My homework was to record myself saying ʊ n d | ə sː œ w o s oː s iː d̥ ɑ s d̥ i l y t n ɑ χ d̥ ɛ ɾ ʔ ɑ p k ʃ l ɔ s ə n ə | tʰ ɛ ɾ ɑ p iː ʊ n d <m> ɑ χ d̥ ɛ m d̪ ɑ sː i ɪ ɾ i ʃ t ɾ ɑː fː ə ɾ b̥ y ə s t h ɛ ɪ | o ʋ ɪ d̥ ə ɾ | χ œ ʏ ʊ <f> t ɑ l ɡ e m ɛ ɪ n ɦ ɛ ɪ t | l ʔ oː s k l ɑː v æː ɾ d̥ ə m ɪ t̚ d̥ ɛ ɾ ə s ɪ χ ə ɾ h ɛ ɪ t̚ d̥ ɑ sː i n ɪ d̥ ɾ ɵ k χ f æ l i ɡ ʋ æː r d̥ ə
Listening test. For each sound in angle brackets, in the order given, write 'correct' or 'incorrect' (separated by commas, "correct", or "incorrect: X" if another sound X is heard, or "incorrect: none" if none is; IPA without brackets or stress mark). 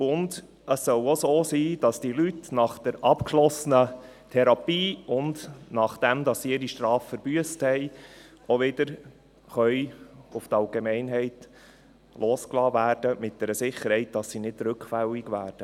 incorrect: n, correct